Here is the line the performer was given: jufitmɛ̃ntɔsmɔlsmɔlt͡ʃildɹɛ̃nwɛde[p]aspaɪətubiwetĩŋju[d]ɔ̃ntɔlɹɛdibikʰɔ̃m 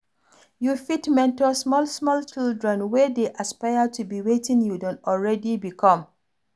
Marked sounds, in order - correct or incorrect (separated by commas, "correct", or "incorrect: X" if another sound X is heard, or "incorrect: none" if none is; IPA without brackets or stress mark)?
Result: incorrect: ʔ, correct